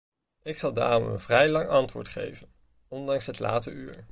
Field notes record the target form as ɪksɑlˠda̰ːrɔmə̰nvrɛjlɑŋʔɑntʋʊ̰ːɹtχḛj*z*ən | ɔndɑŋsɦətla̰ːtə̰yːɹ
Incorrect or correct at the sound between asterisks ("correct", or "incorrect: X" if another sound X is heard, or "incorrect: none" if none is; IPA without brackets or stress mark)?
incorrect: v